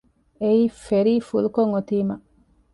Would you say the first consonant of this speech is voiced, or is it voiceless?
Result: voiceless